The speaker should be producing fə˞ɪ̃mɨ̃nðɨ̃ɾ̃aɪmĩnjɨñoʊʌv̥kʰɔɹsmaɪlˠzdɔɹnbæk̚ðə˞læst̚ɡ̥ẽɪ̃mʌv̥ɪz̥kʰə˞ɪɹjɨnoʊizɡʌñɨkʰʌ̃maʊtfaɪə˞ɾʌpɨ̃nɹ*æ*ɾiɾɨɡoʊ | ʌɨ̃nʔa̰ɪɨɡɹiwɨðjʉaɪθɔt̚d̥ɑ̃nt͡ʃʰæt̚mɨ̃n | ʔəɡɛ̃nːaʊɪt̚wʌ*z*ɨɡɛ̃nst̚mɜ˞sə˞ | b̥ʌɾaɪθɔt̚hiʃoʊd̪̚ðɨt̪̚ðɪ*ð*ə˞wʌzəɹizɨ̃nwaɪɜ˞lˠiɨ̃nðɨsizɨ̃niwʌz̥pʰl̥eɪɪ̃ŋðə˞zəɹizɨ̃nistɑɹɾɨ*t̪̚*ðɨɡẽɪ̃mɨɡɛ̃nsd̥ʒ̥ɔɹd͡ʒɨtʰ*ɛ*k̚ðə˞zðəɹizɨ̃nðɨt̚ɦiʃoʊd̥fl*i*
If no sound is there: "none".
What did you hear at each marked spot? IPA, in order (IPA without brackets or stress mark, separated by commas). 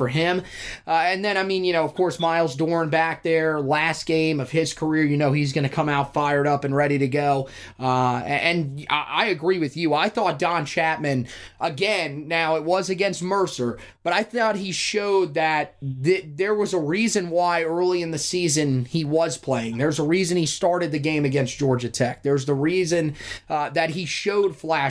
ɛ, z, ð, d̪̚, ɛ, æ